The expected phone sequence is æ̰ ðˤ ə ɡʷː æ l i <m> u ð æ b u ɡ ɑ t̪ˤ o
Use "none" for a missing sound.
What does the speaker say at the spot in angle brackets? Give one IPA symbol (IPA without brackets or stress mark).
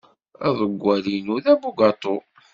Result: n